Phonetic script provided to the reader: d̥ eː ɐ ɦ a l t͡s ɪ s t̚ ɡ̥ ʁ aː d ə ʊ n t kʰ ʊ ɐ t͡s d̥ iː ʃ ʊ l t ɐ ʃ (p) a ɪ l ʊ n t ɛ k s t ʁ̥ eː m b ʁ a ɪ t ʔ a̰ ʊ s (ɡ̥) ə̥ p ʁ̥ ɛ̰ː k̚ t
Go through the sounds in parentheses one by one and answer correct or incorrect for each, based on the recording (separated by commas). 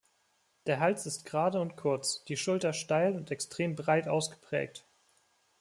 incorrect, correct